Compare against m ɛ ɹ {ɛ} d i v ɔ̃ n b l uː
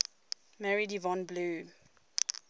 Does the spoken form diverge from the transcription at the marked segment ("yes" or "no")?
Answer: yes